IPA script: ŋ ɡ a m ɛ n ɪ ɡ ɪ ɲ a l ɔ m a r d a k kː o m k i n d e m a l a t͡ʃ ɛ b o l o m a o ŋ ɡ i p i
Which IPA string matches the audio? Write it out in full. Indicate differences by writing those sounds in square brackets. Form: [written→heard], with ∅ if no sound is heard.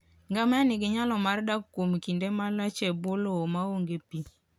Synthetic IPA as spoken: ŋ ɡ a m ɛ n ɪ ɡ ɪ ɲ a l ɔ m a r d a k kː o m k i n d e m a l a t͡ʃ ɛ b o l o m a o ŋ ɡ [i→e] p i